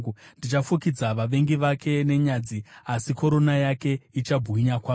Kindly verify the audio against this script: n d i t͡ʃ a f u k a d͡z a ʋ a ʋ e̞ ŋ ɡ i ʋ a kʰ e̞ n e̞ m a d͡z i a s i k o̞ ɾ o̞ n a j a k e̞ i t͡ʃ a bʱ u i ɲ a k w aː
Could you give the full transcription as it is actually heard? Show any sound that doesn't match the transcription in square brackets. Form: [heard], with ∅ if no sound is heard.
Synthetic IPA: n d i t͡ʃ a f u k [i] d͡z a ʋ a ʋ e̞ ŋ ɡ i ʋ a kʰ e̞ n e̞ [ɲ] a d͡z i a s i k o̞ ɾ o̞ n a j a k e̞ i t͡ʃ a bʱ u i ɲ a k w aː